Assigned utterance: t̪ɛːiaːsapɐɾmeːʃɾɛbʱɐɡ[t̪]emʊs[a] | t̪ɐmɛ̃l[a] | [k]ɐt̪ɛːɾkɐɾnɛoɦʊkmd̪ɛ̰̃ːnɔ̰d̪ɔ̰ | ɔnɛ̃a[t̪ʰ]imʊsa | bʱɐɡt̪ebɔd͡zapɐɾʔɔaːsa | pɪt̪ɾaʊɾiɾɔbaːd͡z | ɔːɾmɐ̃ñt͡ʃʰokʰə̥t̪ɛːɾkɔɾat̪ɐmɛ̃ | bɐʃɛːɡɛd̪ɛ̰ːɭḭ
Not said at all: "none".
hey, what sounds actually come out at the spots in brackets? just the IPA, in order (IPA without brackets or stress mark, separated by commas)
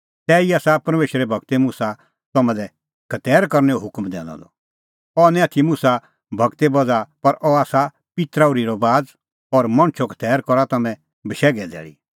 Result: t̪, a, ɛ, kʰ, t̪ʰ